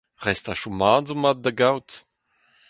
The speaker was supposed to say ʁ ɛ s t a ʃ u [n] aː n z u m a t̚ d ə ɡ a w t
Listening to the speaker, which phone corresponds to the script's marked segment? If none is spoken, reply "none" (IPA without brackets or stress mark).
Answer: m